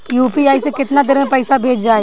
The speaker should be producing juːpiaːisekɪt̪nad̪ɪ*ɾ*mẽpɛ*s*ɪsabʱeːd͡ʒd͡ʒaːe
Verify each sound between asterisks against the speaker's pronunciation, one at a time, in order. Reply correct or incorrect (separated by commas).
correct, incorrect